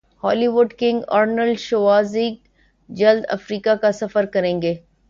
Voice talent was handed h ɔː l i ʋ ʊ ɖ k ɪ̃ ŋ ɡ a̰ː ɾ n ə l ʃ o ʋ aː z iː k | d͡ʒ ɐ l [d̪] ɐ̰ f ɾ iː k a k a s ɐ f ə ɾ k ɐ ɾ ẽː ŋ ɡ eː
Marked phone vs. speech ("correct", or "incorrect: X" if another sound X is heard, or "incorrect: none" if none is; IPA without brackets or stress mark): correct